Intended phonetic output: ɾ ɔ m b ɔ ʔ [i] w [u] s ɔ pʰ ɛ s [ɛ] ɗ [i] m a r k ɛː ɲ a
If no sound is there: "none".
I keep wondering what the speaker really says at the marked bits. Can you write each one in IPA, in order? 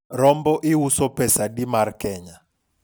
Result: i, u, a, i

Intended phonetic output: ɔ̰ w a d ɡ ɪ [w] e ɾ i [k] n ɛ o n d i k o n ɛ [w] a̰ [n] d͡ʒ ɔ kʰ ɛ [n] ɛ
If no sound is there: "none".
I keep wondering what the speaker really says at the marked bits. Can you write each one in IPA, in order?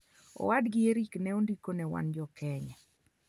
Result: none, k, w, n, ɲ

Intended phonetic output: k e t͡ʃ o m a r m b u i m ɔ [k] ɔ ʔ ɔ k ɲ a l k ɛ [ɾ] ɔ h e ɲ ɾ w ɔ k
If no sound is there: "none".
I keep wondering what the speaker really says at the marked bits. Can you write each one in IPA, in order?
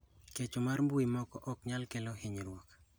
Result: k, l

